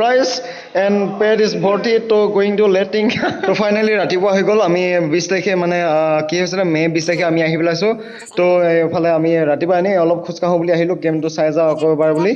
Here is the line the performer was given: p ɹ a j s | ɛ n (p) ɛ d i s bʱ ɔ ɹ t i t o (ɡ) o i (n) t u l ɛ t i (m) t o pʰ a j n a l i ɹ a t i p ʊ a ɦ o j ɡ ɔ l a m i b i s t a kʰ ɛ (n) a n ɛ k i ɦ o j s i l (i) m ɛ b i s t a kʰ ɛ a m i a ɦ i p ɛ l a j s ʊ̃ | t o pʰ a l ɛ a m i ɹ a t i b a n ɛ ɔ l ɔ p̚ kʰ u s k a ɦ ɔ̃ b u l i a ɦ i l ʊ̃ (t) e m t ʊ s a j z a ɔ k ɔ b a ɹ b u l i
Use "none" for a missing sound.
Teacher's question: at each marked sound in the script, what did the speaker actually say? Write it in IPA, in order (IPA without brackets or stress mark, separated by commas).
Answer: p, ɡ, ŋ, ŋ, m, ɛ, k